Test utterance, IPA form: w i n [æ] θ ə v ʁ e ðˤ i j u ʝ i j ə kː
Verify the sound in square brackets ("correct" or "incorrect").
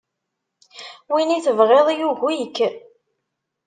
incorrect